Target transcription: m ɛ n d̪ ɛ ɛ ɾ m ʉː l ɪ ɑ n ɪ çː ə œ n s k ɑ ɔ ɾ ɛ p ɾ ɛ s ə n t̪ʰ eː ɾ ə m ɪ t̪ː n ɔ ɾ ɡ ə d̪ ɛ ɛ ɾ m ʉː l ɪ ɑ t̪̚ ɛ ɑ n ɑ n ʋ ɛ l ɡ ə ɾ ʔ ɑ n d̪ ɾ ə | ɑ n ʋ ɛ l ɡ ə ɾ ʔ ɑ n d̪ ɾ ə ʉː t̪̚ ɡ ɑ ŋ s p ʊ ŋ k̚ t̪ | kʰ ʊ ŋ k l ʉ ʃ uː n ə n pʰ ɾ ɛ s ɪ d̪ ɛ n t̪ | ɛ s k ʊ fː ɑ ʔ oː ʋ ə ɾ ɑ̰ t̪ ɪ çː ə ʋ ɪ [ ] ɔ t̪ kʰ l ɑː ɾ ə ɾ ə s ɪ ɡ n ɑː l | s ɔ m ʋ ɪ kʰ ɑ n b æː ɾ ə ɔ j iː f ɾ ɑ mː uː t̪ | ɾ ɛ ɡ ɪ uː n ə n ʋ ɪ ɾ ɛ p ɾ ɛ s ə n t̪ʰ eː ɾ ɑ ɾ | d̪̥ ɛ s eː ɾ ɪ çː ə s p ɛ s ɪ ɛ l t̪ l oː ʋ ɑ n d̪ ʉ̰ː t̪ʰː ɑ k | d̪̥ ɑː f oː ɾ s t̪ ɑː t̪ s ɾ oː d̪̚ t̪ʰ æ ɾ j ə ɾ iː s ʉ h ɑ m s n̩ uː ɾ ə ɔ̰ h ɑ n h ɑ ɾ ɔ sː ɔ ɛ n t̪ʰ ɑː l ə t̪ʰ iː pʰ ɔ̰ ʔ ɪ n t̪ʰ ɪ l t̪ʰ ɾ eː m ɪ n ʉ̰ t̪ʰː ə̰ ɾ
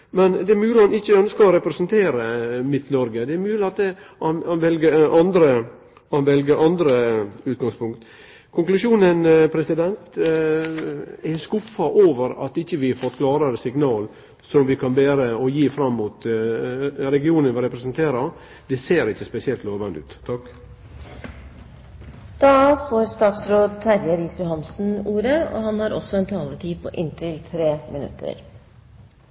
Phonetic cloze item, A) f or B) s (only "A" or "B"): A